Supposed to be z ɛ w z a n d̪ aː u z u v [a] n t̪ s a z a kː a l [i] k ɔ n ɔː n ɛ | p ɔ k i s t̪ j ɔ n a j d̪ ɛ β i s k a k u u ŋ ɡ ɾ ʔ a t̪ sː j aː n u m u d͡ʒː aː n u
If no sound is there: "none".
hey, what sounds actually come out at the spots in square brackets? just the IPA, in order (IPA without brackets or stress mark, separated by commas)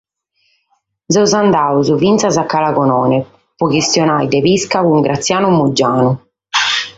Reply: i, a